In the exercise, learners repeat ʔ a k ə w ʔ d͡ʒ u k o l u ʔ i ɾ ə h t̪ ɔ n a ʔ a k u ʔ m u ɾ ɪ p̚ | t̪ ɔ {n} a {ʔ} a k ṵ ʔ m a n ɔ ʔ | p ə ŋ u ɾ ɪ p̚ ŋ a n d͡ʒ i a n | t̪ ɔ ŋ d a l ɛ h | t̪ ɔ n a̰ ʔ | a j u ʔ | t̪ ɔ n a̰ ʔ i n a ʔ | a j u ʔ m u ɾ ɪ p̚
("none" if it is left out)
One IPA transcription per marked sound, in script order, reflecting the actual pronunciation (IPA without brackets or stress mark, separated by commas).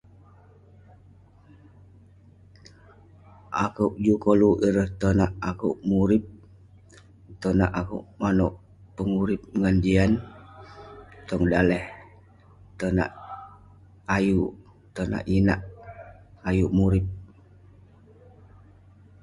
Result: n, ʔ